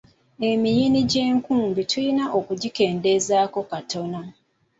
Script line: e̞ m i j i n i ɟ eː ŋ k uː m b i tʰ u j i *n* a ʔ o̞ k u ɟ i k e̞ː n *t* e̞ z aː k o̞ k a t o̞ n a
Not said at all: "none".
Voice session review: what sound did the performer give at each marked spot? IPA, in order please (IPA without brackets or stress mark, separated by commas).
n, d